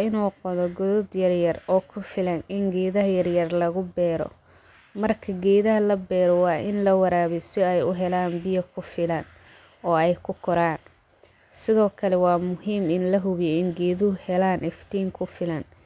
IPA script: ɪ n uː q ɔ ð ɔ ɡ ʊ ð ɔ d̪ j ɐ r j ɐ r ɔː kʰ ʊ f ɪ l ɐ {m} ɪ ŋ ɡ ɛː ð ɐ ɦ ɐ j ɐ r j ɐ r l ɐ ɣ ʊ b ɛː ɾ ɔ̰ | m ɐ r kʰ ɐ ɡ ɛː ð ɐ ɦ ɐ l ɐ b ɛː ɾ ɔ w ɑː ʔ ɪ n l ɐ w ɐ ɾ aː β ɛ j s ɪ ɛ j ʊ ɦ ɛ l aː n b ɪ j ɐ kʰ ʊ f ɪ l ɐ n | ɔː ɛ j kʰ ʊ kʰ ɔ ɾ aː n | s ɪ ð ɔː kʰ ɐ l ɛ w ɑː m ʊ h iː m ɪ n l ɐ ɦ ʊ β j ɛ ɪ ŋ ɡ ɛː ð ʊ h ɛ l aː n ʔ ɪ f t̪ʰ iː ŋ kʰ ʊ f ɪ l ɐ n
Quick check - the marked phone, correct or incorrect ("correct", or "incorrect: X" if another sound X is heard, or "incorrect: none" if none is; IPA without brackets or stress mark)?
incorrect: n